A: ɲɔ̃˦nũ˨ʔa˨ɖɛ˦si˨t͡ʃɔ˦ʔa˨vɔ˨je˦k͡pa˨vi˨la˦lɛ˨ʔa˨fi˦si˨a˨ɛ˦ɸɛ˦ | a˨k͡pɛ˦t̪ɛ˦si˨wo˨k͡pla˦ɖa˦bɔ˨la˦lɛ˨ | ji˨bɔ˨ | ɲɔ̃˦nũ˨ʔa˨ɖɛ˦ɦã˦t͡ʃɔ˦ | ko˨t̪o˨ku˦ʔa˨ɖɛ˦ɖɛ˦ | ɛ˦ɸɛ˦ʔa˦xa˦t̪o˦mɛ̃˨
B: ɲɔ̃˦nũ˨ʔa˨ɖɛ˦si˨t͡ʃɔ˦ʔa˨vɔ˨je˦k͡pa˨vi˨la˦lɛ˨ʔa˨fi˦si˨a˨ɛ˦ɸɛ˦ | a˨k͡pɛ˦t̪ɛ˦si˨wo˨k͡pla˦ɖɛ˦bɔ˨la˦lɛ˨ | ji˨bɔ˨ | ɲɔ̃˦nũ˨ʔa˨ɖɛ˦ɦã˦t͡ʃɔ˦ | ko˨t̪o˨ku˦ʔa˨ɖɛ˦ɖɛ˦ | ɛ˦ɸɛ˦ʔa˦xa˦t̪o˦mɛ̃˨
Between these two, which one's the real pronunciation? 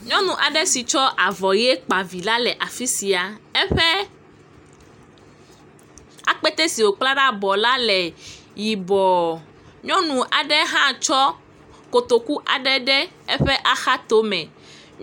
A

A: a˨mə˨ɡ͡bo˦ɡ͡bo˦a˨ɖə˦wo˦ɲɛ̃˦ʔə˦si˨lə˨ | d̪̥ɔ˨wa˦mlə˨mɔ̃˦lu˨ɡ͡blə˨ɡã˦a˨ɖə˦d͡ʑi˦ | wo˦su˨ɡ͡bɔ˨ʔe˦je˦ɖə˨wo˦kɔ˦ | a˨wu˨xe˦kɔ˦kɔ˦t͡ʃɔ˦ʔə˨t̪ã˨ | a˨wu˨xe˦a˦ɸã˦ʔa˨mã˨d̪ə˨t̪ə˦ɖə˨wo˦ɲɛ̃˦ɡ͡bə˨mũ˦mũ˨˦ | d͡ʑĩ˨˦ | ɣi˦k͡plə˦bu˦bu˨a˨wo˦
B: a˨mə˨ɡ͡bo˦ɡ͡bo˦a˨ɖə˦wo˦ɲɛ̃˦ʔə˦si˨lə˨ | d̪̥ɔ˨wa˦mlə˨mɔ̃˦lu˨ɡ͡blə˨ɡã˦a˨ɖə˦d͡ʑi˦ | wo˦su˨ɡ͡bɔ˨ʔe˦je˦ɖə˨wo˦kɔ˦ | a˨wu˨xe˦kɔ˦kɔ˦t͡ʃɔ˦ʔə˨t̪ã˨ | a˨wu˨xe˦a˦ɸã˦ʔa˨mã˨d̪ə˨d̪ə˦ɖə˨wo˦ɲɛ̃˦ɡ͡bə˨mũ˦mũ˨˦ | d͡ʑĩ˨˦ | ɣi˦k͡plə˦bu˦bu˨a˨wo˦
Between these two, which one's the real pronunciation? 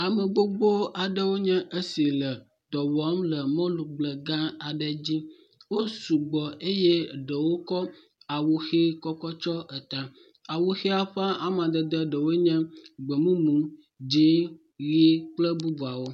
B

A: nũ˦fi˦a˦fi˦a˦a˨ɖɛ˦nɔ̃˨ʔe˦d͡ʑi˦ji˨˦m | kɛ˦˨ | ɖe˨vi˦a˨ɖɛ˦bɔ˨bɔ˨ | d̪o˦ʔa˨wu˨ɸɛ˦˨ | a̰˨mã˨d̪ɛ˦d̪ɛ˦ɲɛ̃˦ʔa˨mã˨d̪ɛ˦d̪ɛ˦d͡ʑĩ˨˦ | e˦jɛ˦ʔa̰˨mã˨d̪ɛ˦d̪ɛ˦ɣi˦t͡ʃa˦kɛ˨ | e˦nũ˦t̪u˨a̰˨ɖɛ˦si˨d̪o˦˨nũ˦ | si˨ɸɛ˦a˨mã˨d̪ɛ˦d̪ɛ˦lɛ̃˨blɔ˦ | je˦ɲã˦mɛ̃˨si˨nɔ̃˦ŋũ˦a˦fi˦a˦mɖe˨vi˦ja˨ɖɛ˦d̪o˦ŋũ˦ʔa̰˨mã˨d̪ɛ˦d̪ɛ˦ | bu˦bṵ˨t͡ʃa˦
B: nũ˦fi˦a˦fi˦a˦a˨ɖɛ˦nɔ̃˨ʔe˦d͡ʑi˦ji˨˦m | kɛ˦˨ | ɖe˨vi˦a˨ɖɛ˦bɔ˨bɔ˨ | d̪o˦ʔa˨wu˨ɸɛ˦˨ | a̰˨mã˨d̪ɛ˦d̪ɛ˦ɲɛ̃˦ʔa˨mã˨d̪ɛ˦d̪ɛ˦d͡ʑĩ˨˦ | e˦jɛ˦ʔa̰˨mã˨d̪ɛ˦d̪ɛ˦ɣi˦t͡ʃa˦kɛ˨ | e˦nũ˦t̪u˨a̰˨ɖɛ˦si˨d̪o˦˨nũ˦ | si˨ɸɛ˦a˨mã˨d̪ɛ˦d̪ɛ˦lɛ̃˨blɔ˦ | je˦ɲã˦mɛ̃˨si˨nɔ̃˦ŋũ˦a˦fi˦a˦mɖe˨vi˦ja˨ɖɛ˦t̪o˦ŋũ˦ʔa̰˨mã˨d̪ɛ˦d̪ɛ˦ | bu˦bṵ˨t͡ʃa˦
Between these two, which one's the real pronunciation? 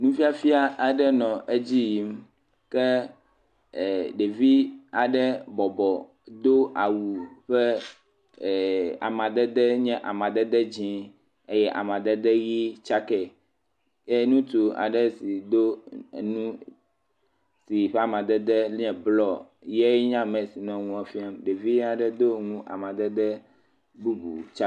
A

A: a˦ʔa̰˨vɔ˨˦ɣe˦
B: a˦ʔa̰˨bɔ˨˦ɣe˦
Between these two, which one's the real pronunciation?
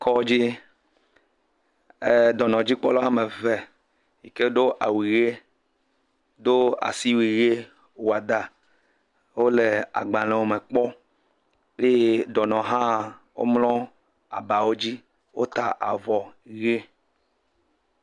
A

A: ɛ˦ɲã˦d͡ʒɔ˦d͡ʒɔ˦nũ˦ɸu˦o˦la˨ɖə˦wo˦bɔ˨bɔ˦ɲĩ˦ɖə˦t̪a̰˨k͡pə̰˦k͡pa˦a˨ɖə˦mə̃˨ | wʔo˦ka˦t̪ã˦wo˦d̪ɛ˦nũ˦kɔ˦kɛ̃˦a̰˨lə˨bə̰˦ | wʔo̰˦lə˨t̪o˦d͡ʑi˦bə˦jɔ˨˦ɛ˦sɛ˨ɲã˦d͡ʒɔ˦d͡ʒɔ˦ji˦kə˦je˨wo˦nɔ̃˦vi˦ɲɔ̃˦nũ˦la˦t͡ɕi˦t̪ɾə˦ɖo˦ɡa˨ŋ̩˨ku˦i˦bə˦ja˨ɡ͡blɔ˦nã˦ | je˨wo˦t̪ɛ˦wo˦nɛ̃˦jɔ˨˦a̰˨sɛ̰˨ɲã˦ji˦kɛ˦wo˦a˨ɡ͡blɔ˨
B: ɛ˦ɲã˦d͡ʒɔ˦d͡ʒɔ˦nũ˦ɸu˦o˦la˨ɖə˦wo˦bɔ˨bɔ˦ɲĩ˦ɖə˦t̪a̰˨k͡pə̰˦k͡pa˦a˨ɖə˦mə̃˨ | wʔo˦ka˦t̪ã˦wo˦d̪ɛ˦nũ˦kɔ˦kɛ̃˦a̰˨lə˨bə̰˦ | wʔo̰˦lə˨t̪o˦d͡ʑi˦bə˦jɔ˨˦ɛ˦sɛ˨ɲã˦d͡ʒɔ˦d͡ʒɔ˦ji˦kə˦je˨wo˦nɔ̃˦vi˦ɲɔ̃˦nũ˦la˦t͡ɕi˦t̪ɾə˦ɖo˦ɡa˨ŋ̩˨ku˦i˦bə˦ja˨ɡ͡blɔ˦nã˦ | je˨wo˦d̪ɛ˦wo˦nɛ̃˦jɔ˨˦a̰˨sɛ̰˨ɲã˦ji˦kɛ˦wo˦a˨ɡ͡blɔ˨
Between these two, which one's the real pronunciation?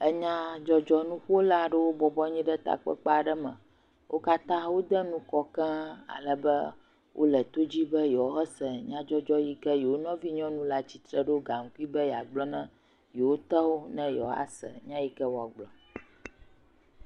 A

